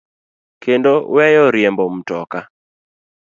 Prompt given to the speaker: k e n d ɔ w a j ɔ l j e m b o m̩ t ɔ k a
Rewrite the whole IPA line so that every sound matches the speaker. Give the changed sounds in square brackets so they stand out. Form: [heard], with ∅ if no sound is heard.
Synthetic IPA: k e n d [o] w [ɛ] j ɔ [ɾ] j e m b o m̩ t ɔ k a